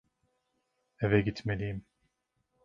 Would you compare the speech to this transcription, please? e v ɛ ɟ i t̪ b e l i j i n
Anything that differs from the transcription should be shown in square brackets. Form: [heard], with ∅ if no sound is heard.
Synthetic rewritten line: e v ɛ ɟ i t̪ [m] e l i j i [m]